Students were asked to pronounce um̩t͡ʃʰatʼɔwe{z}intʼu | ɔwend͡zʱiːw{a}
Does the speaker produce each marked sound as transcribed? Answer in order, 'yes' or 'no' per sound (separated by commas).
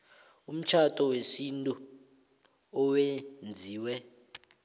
no, no